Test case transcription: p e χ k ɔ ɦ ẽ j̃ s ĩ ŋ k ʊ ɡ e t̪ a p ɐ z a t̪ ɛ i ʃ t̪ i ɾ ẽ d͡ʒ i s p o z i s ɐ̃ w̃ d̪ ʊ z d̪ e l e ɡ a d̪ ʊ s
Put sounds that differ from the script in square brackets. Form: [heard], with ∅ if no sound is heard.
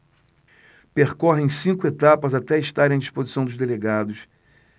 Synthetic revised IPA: p e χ k ɔ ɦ ẽ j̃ s ĩ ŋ k ʊ [∅] e t̪ a p ɐ z a t̪ ɛ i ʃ t̪ [a] ɾ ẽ d͡ʒ i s p o z i s ɐ̃ w̃ d̪ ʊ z d̪ e l e ɡ a d̪ ʊ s